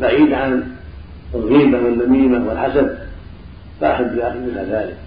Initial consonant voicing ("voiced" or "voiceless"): voiced